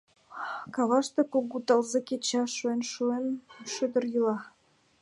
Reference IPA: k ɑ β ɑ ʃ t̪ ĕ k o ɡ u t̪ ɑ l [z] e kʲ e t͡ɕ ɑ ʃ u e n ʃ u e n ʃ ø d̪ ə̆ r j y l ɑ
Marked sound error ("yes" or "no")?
no